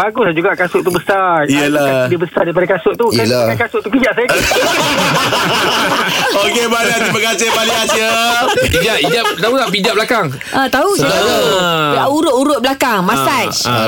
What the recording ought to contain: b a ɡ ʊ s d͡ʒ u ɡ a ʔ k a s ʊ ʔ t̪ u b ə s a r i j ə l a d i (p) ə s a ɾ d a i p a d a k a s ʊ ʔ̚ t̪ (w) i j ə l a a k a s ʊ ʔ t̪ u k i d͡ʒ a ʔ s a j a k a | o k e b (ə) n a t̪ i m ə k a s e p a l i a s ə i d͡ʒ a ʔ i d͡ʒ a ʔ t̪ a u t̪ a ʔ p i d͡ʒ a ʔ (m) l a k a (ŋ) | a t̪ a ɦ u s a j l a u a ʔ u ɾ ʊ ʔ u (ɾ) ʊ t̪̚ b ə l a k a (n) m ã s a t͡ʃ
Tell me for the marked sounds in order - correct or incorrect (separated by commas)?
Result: incorrect, incorrect, incorrect, incorrect, correct, correct, incorrect